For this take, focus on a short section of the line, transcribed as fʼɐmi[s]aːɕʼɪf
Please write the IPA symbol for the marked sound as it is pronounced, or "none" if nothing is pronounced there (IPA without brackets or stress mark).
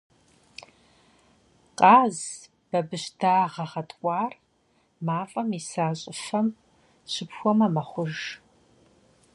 s